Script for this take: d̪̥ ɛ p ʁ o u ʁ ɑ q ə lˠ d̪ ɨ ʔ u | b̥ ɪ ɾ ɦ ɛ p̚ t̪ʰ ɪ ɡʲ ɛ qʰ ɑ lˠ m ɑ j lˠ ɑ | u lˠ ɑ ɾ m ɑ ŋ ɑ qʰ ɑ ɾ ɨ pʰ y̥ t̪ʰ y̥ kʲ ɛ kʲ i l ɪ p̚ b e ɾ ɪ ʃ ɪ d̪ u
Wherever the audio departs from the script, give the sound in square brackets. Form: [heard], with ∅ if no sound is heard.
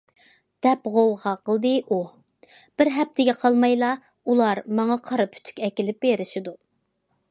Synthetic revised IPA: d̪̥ ɛ p ʁ o [w] ʁ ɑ q ə lˠ d̪ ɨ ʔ u | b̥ ɪ ɾ ɦ ɛ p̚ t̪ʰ ɪ ɡʲ ɛ qʰ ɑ lˠ m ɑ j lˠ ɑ | u lˠ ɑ ɾ m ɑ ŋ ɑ qʰ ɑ ɾ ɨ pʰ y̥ t̪ʰ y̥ kʲ ɛ kʲ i l ɪ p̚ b e ɾ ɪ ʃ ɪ d̪ u